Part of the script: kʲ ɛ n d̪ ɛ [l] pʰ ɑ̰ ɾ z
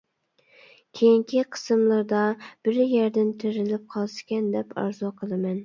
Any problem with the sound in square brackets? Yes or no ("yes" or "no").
yes